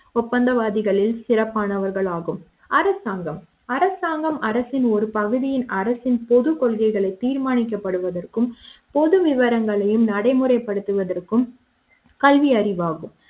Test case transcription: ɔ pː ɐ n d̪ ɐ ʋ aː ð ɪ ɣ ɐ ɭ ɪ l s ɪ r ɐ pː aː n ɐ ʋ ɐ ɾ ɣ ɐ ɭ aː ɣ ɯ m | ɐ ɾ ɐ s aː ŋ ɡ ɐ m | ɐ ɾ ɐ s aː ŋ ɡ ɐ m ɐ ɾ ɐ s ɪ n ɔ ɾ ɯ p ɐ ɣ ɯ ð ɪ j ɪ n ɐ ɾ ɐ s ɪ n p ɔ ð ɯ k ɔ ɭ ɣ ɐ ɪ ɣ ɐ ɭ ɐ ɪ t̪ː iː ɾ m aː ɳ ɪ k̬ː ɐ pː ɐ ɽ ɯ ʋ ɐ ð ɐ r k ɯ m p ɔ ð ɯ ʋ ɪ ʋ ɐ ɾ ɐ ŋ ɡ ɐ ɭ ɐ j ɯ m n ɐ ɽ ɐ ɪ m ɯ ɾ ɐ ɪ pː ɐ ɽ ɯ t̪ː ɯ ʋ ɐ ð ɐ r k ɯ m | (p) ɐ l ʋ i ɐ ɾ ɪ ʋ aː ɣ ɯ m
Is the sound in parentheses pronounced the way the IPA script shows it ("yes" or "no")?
no